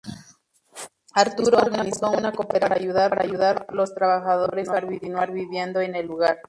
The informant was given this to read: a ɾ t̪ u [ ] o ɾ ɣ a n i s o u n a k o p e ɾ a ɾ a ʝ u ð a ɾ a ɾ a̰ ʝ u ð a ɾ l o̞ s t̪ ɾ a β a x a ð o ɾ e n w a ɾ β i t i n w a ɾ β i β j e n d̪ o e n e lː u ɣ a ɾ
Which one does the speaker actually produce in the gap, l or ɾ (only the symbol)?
ɾ